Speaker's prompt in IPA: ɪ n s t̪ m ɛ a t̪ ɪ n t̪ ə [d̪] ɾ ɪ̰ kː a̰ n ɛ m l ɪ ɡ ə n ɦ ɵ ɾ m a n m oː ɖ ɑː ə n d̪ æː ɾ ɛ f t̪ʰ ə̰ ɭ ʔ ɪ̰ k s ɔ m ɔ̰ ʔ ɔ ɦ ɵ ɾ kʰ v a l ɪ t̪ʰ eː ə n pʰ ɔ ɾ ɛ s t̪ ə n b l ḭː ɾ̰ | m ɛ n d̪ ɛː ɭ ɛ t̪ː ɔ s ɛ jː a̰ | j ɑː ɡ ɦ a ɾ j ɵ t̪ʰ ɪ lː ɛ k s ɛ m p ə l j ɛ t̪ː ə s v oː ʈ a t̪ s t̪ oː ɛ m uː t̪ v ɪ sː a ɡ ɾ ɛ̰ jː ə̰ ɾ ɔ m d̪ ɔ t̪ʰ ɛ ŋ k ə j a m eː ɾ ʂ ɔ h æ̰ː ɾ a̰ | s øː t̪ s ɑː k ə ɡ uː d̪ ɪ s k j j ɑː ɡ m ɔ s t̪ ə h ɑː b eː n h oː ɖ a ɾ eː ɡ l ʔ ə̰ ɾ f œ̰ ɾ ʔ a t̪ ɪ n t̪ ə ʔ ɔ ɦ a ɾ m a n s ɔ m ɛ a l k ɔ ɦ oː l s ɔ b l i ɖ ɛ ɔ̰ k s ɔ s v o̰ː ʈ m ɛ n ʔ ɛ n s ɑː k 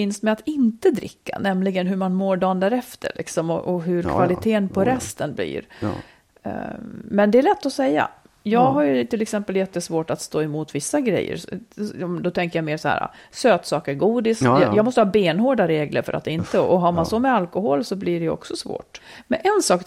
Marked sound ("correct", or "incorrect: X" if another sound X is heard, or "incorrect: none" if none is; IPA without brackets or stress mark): correct